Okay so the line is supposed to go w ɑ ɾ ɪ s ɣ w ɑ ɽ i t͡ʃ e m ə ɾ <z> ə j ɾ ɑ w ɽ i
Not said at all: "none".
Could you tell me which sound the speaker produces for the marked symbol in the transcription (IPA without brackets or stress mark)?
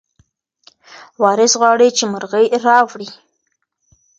ɣ